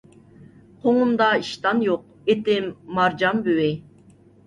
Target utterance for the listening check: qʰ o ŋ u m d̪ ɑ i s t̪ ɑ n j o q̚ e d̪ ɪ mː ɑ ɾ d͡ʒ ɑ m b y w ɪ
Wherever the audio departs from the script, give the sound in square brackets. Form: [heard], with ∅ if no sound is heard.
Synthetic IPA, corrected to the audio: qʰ o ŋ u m d̪ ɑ i [ʃ] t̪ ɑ n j o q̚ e [t̪] ɪ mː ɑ ɾ d͡ʒ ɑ m b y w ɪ